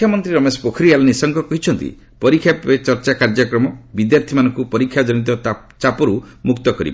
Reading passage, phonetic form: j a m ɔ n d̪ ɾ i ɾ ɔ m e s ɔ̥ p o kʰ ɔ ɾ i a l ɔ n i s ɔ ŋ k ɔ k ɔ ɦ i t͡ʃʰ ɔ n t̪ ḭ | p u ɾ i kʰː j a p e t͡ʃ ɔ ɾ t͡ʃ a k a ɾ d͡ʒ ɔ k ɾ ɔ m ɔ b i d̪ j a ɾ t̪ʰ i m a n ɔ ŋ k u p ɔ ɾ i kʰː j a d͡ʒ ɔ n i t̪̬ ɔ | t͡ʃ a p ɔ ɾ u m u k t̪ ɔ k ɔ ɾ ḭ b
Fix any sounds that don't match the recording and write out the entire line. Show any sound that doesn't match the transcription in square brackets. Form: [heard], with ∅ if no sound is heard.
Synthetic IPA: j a m ɔ n [t̪] ɾ i ɾ ɔ m e s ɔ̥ p o kʰ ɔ ɾ i a l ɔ n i s ɔ ŋ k ɔ k ɔ ɦ i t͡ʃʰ ɔ n t̪ ḭ | p [ɔ] ɾ i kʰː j a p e t͡ʃ ɔ ɾ t͡ʃ a k a ɾ d͡ʒ ɔ k ɾ ɔ m ɔ b i d̪ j a ɾ t̪ʰ i m a n ɔ ŋ k u p ɔ ɾ i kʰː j a d͡ʒ ɔ n i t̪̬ ɔ | t͡ʃ a p ɔ ɾ u m u k t̪ ɔ k ɔ ɾ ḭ b